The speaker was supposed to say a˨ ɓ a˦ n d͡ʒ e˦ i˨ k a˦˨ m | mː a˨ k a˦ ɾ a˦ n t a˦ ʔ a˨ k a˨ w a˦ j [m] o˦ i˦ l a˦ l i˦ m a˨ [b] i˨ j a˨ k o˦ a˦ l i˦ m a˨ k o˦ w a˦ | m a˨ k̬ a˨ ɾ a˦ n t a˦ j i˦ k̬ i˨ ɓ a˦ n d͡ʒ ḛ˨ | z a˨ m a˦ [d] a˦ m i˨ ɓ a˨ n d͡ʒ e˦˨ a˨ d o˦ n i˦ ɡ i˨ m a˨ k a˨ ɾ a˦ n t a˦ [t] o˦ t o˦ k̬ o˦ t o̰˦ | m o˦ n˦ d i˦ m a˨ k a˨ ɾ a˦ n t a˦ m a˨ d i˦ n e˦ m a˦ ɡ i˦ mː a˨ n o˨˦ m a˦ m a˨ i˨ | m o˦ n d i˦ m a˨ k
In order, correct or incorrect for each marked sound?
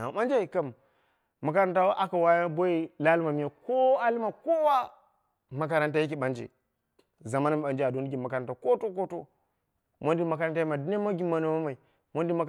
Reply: incorrect, incorrect, incorrect, incorrect

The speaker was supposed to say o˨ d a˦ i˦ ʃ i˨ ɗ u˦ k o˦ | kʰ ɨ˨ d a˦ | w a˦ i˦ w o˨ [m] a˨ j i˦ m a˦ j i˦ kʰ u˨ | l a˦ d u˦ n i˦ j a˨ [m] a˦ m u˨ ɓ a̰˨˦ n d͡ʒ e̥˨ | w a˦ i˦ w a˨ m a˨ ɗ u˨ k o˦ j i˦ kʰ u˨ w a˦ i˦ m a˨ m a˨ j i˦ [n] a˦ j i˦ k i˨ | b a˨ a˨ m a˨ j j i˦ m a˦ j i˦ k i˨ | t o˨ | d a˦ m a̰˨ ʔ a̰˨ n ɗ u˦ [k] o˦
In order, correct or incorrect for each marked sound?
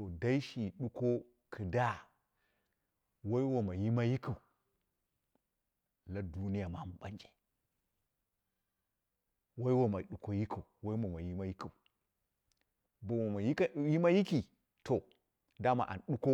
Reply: correct, correct, incorrect, correct

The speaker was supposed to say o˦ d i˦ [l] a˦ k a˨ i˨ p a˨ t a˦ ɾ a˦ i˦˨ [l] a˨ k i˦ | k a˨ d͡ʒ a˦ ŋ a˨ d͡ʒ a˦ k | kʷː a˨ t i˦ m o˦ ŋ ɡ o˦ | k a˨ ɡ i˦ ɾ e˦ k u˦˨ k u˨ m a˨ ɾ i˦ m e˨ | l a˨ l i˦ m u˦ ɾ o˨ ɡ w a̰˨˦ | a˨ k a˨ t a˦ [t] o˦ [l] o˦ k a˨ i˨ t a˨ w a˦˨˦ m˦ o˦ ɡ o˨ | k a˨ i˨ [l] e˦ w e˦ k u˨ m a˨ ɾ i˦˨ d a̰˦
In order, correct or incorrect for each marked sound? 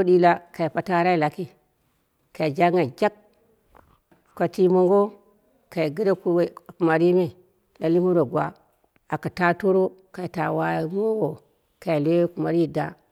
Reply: correct, correct, correct, incorrect, correct

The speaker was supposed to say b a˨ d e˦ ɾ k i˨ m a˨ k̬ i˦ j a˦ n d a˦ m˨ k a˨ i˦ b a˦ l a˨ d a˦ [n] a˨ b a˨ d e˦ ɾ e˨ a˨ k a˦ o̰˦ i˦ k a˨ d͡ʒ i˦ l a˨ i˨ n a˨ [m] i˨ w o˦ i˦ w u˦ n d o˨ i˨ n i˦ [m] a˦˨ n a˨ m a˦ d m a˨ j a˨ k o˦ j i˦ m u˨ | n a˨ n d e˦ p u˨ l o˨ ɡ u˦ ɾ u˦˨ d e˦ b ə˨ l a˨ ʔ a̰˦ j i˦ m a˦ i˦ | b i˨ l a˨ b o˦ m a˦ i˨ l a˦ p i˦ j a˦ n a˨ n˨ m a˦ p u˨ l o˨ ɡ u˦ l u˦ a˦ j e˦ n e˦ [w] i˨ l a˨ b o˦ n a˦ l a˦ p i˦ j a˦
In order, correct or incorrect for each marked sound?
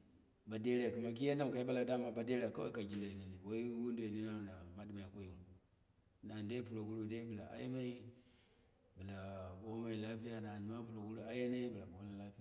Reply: incorrect, incorrect, incorrect, incorrect

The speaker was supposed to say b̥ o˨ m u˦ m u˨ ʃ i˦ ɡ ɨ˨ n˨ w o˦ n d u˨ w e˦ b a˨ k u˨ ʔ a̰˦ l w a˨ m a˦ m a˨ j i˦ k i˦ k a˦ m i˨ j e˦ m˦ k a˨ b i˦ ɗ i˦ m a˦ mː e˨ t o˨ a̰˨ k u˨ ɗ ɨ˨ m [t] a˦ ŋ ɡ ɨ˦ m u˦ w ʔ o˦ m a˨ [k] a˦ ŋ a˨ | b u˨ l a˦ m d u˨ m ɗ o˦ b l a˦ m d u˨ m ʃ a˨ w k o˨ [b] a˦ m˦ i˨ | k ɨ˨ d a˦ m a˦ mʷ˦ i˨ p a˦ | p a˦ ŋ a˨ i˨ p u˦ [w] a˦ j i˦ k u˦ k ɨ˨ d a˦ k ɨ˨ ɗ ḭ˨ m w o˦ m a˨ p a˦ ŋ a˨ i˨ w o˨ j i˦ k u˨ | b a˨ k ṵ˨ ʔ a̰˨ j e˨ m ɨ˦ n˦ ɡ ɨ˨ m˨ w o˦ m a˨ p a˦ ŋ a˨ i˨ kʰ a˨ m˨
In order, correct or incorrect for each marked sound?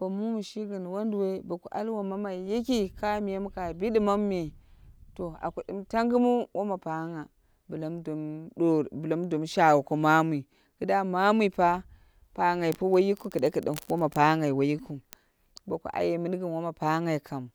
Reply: correct, incorrect, incorrect, correct

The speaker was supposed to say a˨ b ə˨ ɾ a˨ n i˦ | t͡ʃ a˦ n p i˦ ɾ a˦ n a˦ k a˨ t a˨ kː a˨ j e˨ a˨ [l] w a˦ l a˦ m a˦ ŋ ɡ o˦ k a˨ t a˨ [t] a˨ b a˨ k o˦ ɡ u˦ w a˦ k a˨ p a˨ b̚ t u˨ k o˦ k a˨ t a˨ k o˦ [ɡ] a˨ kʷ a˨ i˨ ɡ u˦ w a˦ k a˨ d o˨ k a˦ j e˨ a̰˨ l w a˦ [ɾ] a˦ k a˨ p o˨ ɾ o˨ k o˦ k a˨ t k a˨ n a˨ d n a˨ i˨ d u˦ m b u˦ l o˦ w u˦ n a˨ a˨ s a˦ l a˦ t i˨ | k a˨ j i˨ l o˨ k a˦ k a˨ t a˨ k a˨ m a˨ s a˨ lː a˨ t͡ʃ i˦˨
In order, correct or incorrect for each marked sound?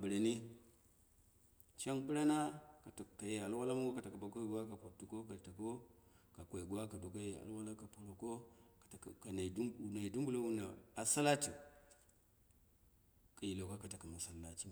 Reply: correct, incorrect, incorrect, incorrect

